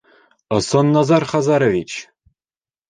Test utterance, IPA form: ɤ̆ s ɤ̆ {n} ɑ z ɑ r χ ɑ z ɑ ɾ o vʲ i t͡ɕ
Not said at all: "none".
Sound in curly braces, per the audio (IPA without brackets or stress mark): nː